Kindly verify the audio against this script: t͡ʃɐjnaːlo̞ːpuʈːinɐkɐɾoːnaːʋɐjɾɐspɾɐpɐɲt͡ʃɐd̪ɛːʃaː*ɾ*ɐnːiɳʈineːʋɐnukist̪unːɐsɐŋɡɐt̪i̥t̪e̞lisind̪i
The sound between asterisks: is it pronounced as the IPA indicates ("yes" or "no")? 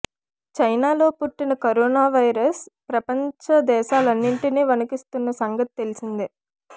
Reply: no